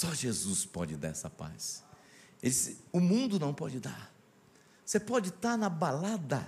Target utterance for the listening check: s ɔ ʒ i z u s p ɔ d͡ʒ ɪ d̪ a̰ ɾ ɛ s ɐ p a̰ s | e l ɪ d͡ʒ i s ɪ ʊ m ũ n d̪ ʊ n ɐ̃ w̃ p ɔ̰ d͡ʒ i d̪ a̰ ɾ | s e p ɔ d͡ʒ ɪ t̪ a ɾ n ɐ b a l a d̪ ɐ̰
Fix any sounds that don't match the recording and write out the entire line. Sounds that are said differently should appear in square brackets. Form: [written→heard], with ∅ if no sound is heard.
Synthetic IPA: s ɔ ʒ [i→e] z u s p ɔ d͡ʒ ɪ d̪ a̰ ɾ ɛ s ɐ p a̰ s | e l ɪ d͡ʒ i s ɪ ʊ m ũ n d̪ ʊ n ɐ̃ w̃ p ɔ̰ d͡ʒ [i→ɪ] d̪ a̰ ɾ | s e p ɔ d͡ʒ ɪ t̪ a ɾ n ɐ b a l a d̪ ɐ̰